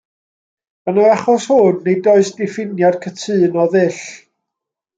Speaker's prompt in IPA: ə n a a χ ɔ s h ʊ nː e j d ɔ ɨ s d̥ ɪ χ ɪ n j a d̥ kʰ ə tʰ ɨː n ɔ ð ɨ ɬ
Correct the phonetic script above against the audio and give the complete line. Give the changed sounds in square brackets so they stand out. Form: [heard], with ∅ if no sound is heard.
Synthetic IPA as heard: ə n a a χ ɔ s h ʊ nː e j d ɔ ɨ s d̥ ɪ [f] ɪ n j a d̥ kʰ ə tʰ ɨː n ɔ ð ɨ ɬ